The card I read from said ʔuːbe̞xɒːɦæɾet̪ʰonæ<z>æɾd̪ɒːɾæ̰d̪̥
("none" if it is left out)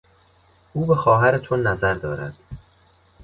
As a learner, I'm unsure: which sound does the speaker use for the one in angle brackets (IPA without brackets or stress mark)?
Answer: z